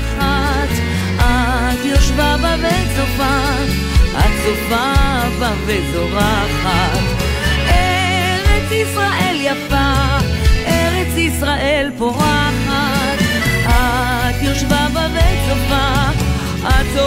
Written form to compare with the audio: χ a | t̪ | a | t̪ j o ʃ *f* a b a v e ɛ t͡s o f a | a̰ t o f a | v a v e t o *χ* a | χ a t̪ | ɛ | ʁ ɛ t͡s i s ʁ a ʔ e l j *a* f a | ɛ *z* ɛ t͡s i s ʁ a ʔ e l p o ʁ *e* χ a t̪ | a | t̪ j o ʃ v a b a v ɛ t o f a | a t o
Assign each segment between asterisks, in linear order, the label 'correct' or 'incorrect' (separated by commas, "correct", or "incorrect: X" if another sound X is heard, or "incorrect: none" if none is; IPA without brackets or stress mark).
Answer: incorrect: v, incorrect: ʁ, correct, incorrect: ʁ, incorrect: a